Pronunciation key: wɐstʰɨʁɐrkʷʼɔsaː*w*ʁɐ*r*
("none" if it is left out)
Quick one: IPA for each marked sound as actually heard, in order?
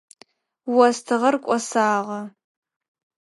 none, none

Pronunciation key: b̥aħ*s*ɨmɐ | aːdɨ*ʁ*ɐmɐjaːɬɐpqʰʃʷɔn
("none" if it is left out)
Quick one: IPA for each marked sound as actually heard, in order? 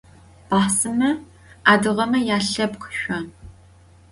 s, ʁ

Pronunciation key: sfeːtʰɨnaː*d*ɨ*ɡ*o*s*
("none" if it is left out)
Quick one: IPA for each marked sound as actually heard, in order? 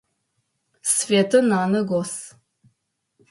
n, ɡ, s

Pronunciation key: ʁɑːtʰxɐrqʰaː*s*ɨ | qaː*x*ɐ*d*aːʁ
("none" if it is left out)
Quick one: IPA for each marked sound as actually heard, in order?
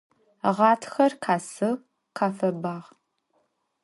s, f, b

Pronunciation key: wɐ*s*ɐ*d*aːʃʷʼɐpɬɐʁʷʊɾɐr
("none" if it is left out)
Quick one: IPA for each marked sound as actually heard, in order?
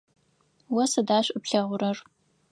s, d

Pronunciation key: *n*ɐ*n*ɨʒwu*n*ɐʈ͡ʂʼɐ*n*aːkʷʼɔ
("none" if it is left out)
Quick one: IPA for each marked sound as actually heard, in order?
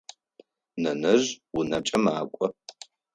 n, n, n, m

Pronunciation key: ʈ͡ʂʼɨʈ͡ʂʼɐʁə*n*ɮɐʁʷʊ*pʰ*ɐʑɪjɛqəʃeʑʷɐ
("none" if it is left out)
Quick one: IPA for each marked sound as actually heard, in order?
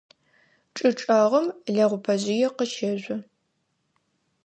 m, pʰ

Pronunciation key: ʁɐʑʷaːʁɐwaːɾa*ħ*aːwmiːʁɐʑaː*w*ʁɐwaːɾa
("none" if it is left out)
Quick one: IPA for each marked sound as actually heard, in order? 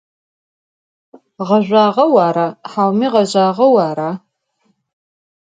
ħ, none

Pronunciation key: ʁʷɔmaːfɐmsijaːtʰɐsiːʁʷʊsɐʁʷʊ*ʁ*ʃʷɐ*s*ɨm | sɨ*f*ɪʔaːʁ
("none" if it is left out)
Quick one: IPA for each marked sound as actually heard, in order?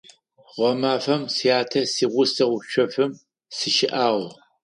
none, f, ʃ

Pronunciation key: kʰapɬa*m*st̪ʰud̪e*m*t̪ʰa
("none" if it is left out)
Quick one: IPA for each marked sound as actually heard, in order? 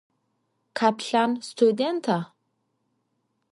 n, n

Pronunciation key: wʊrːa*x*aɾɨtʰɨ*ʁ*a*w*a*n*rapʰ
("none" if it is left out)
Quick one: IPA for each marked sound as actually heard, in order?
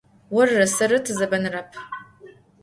s, z, b, n

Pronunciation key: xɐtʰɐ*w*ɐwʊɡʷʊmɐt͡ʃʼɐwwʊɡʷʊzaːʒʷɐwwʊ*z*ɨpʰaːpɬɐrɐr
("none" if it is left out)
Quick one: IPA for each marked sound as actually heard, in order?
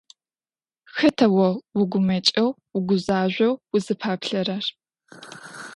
w, z

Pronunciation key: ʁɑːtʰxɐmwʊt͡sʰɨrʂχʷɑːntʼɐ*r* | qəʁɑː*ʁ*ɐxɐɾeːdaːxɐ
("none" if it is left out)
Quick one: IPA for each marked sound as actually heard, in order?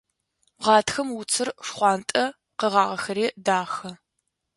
none, ʁ

